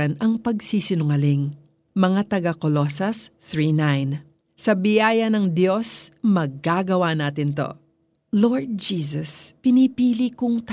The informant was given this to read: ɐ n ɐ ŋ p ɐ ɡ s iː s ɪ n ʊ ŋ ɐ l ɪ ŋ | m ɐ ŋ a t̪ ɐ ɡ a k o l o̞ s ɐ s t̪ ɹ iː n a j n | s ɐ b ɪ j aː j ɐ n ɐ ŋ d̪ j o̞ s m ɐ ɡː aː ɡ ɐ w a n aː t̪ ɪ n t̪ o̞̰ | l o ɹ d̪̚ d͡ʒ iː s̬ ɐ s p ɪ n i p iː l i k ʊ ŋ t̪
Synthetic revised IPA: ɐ n ɐ ŋ p ɐ ɡ s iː s ɪ n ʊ ŋ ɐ l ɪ ŋ | m ɐ ŋ a t̪ ɐ ɡ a k o l o̞ s ɐ s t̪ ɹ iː n a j n | s ɐ b ɪ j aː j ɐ n ɐ ŋ d̪ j o̞ s m ɐ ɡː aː ɡ ɐ w a n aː t̪ ɪ n t̪ o̞̰ | l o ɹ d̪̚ d͡ʒ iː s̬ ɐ s p ɪ n i p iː l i k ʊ ŋ t̪